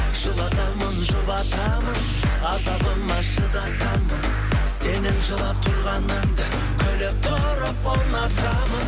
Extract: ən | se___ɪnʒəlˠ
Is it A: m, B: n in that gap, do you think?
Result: B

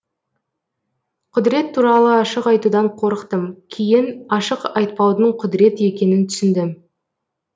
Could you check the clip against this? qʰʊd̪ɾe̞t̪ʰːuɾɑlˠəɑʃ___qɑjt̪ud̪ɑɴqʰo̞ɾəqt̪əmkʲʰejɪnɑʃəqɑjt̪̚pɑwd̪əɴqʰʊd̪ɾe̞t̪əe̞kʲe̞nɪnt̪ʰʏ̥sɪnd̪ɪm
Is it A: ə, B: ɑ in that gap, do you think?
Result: A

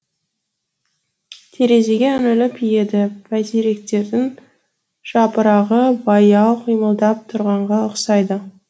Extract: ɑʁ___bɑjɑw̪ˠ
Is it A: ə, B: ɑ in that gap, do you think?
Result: A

